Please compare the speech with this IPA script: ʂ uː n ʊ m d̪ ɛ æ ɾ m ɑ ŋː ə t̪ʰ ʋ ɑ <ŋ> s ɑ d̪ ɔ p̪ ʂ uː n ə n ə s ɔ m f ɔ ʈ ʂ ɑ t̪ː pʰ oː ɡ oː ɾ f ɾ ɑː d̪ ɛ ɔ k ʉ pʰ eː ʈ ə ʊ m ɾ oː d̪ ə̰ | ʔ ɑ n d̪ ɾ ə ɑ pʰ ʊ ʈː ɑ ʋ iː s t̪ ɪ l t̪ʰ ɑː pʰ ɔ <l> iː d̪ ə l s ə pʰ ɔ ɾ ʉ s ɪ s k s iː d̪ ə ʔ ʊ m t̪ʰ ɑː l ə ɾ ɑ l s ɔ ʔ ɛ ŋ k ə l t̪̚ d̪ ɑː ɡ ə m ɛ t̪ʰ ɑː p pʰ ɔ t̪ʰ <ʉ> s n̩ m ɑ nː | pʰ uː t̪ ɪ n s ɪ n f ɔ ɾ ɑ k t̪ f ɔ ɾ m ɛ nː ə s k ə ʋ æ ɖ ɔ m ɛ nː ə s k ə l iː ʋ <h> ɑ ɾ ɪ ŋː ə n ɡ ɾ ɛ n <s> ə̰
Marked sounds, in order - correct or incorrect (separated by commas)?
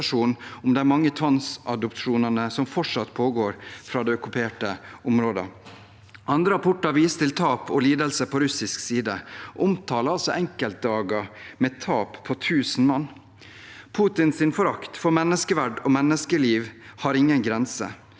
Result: incorrect, correct, incorrect, correct, correct